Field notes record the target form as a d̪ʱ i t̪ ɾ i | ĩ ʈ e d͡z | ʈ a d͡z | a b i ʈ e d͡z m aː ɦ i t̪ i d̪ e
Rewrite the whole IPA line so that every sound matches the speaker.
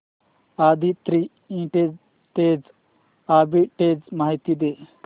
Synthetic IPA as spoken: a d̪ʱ i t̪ ɾ i | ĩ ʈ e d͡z | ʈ e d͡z | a b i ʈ e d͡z m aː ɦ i t̪ i d̪ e